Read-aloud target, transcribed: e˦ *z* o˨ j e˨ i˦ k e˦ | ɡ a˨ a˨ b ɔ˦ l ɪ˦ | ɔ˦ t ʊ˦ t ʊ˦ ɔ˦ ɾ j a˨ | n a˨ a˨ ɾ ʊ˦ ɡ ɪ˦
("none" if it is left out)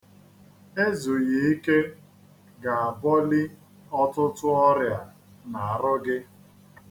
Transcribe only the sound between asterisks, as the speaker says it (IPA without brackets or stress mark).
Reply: z